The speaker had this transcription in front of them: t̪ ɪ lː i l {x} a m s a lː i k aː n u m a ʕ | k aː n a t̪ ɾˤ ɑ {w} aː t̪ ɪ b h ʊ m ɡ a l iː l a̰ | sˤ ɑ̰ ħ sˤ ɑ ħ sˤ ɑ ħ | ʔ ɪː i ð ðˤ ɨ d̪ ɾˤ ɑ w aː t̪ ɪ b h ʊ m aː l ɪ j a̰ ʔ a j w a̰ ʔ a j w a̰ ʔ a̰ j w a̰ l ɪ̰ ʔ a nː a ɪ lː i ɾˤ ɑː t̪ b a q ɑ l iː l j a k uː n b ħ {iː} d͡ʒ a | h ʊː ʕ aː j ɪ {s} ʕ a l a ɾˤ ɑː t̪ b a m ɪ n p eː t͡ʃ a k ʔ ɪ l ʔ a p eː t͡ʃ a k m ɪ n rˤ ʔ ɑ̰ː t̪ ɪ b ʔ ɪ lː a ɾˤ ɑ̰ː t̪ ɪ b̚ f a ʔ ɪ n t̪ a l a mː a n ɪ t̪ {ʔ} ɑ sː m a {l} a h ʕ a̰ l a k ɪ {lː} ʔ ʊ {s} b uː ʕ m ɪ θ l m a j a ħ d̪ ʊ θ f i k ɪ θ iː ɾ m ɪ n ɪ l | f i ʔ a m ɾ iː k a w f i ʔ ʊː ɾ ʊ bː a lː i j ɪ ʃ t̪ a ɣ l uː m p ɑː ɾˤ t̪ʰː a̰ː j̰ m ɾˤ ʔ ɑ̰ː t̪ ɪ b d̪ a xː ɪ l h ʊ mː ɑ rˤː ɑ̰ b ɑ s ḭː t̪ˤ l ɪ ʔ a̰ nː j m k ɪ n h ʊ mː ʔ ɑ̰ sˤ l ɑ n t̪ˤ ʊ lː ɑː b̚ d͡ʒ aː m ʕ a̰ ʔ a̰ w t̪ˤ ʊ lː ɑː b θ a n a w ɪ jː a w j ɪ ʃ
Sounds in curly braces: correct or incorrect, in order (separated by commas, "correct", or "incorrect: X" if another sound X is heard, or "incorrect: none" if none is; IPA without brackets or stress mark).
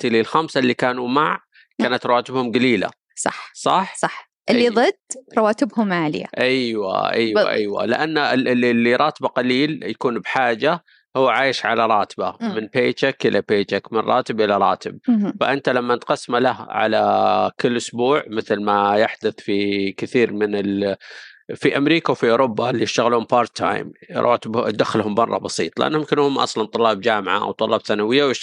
correct, correct, incorrect: aː, incorrect: ʃ, incorrect: q, correct, correct, correct